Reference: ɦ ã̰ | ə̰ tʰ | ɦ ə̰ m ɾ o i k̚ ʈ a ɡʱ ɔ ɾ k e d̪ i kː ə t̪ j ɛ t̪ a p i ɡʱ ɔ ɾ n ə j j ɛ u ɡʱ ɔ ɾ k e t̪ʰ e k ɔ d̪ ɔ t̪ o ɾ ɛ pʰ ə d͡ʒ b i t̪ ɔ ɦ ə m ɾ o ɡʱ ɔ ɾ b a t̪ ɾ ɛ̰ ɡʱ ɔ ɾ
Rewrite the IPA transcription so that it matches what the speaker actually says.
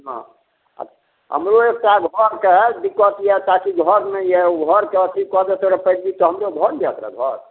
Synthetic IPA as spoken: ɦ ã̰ | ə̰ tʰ | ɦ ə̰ m ɾ o e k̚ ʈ a ɡʱ ɔ ɾ k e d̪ i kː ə t̪ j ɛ t̪ a k i ɡʱ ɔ ɾ n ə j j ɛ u ɡʱ ɔ ɾ k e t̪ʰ i k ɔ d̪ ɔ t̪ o ɾ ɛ p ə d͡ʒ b i t̪ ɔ ɦ ə m ɾ o ɡʱ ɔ ɾ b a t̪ ɾ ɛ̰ ɡʱ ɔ ɾ